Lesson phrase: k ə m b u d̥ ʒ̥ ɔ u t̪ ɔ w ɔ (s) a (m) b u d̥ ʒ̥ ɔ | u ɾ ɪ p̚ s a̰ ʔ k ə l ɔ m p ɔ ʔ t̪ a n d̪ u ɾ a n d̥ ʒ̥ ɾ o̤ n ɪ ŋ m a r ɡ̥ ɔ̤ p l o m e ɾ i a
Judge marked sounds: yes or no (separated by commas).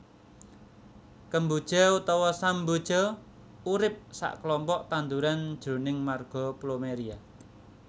yes, yes